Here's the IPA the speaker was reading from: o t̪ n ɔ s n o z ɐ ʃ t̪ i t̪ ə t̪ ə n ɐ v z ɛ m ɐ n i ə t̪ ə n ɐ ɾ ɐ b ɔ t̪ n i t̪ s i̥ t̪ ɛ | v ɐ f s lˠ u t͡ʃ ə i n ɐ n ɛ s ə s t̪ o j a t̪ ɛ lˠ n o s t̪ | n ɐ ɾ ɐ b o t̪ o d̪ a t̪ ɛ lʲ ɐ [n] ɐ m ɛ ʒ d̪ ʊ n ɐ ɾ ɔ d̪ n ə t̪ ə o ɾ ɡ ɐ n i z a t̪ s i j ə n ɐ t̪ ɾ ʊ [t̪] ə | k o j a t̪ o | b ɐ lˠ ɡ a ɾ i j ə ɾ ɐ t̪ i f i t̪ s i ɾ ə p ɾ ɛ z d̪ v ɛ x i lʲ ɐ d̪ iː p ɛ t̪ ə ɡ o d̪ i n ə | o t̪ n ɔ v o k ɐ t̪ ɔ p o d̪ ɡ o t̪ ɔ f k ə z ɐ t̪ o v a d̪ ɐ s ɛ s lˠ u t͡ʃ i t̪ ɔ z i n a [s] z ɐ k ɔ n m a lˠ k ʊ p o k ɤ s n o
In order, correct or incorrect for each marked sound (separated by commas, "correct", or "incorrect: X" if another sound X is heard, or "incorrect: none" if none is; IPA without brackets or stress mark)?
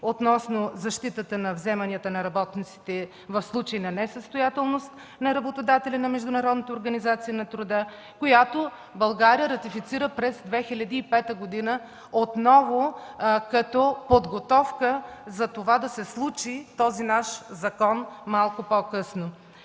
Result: correct, incorrect: d̪, incorrect: ʃ